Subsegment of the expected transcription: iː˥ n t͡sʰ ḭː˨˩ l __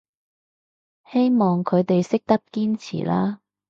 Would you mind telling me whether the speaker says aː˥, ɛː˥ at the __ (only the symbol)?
aː˥